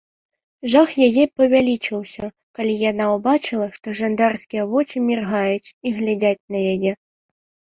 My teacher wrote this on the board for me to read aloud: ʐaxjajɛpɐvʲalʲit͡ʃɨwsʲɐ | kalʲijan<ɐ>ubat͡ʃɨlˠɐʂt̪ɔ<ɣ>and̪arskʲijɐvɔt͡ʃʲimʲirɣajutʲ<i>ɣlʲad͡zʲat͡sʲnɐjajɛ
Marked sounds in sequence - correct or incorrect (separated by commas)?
incorrect, incorrect, correct